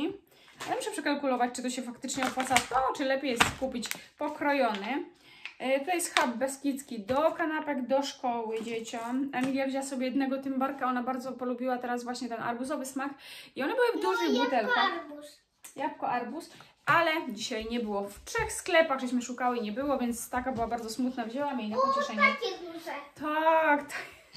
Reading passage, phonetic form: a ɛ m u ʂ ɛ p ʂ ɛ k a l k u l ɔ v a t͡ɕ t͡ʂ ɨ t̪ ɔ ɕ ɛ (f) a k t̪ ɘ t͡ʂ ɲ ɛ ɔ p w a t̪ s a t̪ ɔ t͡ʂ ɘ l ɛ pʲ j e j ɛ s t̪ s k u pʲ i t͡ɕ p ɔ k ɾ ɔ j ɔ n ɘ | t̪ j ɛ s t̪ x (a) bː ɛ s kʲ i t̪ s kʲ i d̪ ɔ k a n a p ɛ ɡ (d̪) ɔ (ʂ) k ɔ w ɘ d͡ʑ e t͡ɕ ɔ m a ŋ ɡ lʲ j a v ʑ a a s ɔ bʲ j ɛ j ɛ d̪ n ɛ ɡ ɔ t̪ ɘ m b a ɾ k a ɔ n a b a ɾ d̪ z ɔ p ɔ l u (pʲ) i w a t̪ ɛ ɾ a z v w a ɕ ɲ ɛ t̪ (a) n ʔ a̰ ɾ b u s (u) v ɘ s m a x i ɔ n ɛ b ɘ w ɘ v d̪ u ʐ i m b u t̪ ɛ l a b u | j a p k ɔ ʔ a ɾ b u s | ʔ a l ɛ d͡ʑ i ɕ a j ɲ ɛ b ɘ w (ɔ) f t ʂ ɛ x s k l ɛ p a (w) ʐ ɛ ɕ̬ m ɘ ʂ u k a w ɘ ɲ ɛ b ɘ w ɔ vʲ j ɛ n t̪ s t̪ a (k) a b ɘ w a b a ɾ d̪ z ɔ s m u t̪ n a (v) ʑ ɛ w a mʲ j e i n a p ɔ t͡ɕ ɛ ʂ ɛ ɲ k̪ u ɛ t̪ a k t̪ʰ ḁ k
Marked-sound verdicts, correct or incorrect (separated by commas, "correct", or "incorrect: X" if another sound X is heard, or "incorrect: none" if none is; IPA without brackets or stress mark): correct, correct, correct, correct, incorrect: bʲ, incorrect: ɛ, incorrect: ɔ, correct, incorrect: ɣ, correct, correct